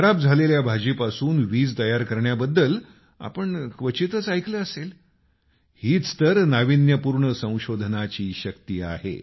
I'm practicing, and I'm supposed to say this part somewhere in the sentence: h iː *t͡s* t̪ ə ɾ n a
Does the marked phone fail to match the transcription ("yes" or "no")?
no